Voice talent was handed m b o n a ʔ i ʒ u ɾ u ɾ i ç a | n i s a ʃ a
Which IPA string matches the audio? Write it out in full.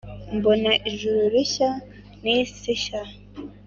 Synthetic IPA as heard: m b o n a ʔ i ʒ u ɾ u ɾ i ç a | n i s i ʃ a